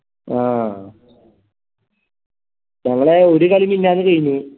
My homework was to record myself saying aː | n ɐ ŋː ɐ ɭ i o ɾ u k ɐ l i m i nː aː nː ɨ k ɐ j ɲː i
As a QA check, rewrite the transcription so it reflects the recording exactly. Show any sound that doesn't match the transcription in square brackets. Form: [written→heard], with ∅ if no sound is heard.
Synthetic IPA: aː | [n→ɲ] ɐ ŋː ɐ ɭ [i→e] o ɾ u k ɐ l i m i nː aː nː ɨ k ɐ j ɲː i